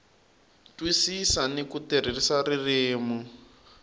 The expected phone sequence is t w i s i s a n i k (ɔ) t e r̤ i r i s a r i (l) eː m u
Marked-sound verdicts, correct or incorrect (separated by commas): incorrect, incorrect